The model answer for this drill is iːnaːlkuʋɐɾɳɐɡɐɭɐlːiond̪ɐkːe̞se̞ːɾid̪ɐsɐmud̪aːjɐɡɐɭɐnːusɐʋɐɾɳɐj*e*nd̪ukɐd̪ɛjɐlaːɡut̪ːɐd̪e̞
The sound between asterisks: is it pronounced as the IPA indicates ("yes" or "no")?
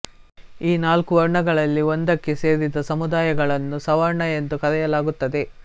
yes